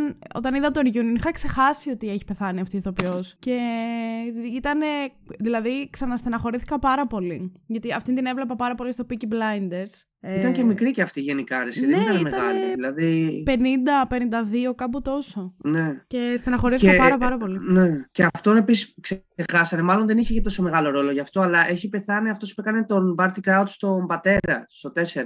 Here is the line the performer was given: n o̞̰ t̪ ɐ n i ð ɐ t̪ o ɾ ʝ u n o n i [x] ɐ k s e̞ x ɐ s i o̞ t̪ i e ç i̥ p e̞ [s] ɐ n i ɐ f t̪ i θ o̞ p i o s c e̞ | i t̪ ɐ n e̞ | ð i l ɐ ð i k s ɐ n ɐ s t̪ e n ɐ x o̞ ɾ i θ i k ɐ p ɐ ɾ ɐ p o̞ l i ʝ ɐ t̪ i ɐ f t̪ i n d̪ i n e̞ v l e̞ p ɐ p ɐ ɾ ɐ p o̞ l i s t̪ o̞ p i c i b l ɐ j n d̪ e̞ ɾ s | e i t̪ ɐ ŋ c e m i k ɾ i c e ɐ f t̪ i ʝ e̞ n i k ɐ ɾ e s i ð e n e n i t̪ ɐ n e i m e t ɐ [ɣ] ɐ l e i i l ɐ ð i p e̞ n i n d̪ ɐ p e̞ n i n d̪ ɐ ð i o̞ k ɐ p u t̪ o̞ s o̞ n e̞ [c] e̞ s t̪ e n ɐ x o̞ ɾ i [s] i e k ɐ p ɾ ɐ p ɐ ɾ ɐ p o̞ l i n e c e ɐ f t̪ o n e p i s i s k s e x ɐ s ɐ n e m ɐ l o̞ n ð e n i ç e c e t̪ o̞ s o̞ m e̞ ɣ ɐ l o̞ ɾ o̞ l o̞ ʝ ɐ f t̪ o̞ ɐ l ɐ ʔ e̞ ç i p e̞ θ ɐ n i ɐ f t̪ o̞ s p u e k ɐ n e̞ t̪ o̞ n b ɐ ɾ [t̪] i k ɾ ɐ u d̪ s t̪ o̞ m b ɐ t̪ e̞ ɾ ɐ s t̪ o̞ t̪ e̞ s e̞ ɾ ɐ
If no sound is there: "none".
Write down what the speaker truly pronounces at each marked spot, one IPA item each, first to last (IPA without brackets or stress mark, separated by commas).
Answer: x, θ, ɣ, c, θ, t̪